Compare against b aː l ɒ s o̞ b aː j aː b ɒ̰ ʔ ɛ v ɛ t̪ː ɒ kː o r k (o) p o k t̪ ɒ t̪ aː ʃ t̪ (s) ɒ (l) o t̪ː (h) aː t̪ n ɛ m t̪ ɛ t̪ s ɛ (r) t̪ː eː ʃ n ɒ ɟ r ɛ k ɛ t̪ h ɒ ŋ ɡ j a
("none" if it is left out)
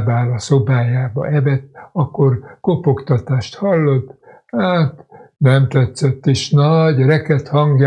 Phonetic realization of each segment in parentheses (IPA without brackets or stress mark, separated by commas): o, h, lː, h, none